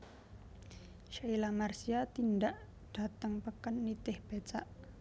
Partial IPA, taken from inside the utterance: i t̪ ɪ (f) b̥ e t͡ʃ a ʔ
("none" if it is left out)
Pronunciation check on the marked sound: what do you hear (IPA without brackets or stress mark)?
h